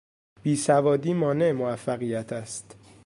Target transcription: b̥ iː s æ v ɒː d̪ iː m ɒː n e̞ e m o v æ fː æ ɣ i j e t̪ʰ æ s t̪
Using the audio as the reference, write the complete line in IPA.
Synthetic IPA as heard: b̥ iː s æ v ɒː d̪ iː m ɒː n e̞ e m o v æ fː æ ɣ i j æ t̪ʰ æ s t̪